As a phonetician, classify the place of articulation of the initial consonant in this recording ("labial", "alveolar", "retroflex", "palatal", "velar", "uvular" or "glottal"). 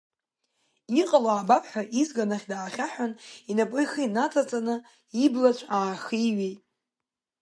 uvular